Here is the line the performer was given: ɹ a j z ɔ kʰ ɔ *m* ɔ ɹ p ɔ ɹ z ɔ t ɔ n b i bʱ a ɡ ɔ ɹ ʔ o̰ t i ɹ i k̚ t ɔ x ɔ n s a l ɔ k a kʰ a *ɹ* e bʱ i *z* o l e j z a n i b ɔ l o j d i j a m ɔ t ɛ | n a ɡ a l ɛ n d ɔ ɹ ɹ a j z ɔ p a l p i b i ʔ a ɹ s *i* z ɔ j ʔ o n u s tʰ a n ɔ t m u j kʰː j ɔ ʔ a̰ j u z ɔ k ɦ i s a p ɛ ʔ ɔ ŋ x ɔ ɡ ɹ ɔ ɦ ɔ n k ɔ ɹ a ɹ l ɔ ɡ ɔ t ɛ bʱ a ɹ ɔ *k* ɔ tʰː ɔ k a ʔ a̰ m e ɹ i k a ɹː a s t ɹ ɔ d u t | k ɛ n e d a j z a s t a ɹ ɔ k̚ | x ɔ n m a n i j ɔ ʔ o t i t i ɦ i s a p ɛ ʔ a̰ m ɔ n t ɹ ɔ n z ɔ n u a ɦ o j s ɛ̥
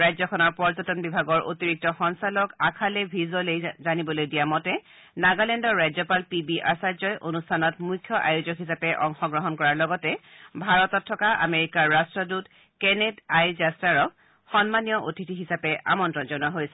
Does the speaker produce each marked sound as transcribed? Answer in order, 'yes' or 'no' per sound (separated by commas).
no, no, yes, no, no